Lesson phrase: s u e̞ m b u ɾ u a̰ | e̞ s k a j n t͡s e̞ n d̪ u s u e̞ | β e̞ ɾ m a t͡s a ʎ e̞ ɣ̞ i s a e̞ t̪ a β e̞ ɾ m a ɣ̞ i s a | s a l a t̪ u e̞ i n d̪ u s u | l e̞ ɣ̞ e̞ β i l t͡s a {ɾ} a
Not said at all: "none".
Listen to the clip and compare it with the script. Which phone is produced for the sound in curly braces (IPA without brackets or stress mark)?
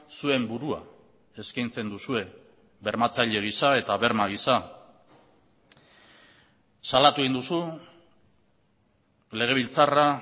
r